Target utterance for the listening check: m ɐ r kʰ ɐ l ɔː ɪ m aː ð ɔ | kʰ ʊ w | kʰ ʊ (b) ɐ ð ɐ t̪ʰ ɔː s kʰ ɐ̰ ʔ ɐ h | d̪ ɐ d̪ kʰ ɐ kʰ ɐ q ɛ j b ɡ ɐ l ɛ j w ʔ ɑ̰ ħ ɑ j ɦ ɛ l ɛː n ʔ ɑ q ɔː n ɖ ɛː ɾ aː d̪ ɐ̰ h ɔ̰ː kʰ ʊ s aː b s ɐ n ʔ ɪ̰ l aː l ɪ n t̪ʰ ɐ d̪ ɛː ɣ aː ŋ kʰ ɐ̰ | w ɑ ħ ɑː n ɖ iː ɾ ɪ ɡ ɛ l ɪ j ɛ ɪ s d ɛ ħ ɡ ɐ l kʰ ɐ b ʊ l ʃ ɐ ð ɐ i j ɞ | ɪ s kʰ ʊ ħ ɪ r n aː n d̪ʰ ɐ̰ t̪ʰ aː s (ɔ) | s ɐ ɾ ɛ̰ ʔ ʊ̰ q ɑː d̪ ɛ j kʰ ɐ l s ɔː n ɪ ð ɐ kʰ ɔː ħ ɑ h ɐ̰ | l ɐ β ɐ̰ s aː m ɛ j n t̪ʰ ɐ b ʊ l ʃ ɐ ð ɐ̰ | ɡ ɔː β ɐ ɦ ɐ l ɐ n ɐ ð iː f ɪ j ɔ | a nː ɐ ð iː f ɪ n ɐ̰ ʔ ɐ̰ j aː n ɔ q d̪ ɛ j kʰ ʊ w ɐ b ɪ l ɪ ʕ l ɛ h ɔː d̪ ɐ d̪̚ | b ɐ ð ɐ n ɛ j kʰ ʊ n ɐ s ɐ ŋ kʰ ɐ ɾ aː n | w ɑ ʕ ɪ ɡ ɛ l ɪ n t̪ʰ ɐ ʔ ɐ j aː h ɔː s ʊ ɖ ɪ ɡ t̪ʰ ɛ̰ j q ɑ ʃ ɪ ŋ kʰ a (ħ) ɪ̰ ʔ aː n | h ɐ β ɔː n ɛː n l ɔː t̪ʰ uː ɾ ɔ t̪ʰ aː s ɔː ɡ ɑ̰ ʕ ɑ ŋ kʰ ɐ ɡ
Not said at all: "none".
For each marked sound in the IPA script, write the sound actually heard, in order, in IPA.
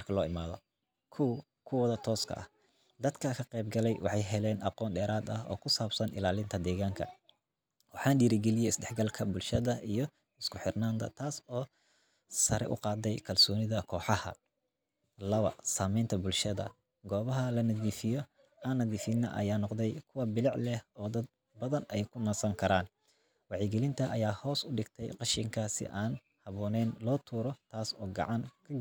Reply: w, ɔː, s

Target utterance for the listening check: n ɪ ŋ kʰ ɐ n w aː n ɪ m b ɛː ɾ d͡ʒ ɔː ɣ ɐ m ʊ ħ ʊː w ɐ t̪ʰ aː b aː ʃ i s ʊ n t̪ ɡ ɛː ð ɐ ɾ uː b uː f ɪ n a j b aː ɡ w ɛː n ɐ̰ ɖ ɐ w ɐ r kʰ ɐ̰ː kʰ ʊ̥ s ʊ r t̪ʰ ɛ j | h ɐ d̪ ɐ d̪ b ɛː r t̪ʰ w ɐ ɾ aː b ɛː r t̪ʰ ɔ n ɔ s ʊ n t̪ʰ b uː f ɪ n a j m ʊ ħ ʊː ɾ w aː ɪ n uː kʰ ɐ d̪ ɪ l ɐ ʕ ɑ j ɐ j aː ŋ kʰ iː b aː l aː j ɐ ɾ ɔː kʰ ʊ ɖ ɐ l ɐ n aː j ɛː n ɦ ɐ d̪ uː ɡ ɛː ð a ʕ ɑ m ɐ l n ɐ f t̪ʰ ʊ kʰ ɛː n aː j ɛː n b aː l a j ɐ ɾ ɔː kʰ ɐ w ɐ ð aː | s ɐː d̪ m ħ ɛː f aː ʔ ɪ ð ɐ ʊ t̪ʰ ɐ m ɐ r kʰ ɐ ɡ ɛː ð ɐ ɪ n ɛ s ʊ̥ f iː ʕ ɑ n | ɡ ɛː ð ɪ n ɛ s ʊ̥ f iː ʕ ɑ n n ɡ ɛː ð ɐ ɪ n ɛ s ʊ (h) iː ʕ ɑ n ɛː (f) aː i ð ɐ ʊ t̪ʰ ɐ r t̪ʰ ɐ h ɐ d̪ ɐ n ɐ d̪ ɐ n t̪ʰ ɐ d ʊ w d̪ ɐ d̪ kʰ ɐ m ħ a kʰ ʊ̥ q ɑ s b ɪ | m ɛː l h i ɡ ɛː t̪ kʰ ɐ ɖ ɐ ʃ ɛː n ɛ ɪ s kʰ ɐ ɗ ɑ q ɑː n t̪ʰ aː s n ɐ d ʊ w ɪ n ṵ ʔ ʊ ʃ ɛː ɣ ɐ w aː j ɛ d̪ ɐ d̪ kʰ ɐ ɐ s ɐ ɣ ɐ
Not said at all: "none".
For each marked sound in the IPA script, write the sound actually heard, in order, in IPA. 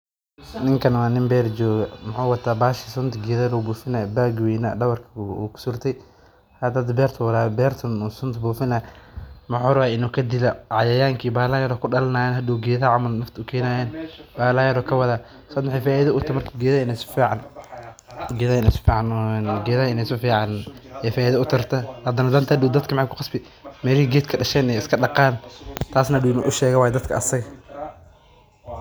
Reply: f, f

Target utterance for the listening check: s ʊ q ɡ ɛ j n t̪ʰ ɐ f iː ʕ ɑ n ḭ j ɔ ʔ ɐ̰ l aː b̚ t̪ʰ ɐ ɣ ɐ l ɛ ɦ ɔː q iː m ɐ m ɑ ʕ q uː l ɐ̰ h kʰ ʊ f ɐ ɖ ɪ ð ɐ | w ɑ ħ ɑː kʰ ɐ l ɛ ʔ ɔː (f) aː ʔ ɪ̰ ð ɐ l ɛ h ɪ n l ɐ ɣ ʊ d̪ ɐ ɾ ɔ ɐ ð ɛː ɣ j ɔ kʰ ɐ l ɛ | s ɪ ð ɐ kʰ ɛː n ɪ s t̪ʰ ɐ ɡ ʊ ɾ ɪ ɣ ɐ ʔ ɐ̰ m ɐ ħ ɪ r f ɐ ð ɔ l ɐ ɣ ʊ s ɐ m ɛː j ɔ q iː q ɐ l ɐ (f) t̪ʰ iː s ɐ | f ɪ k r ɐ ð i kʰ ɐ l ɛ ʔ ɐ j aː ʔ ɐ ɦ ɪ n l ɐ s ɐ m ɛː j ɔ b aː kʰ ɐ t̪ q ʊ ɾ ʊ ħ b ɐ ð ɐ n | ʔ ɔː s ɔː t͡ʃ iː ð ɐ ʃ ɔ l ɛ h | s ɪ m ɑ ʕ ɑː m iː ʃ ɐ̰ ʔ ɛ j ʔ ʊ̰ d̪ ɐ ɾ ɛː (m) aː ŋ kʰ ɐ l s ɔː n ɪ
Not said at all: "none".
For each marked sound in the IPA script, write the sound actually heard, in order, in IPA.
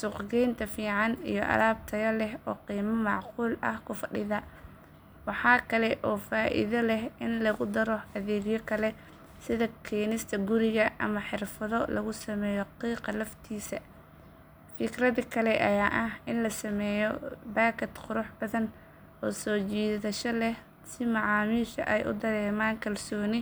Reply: f, f, m

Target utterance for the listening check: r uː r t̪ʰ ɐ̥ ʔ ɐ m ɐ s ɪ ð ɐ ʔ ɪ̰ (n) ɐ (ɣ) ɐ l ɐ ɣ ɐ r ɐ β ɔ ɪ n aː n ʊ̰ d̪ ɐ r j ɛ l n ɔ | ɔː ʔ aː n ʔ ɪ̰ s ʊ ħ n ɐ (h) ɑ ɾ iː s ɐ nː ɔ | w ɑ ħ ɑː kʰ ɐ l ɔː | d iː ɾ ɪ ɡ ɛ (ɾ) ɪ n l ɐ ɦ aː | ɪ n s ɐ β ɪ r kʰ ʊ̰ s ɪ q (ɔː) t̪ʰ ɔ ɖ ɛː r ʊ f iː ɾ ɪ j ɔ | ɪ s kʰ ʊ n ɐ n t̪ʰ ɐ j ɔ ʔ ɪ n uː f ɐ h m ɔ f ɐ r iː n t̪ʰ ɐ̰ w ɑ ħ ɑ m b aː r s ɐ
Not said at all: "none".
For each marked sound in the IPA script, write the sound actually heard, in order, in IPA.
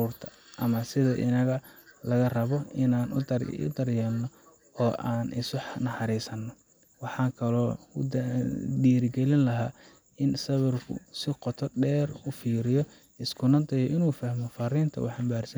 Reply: n, ɣ, ħ, l, ɔ

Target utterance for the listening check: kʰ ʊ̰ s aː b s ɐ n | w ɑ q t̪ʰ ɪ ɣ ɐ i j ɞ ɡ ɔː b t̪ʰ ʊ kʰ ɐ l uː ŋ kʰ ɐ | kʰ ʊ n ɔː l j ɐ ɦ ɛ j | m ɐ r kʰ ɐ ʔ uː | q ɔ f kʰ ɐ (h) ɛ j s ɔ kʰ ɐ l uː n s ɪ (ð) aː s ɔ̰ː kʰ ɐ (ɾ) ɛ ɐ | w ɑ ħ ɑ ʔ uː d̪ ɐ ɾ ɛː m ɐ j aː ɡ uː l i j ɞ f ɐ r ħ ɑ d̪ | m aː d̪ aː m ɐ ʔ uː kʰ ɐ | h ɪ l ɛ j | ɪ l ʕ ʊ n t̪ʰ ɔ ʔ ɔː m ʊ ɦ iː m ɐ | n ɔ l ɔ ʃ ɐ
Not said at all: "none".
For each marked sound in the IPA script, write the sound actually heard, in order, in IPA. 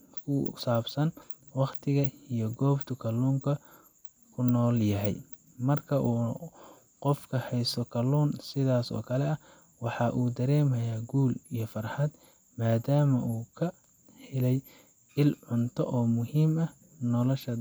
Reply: h, ð, l

